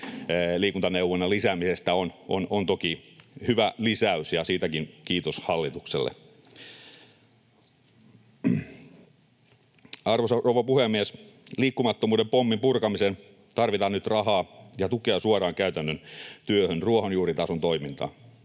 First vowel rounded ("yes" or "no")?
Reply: no